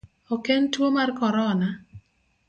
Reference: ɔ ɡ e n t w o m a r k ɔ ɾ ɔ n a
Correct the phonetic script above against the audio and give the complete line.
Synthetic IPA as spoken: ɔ k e n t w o m a r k ɔ ɾ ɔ n a